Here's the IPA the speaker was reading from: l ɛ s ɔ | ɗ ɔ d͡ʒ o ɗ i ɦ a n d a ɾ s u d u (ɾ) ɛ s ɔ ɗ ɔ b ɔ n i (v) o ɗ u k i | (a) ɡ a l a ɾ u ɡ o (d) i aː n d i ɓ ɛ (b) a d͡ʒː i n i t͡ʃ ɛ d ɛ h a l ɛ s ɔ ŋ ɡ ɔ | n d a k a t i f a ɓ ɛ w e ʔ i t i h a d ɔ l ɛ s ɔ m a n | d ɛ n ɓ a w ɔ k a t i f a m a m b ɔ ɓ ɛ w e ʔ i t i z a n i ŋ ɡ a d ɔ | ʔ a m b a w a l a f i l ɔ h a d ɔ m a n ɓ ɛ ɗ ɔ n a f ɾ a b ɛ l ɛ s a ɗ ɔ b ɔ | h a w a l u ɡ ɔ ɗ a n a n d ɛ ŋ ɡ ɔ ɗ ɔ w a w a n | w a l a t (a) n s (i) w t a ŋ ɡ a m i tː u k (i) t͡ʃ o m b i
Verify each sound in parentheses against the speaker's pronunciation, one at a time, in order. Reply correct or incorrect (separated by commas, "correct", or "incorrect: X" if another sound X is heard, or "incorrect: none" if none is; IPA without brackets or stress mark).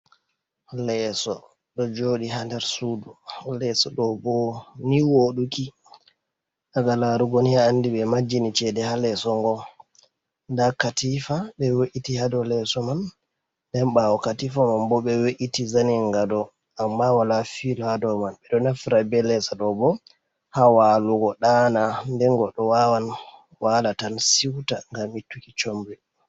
incorrect: l, incorrect: w, correct, incorrect: n, incorrect: m, correct, correct, correct